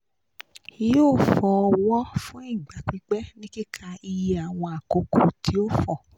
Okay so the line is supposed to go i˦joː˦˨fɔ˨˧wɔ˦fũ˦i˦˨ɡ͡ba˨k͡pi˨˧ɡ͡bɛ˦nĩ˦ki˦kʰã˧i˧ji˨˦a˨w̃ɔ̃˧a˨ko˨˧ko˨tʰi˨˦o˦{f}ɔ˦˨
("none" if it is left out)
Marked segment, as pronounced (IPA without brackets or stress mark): f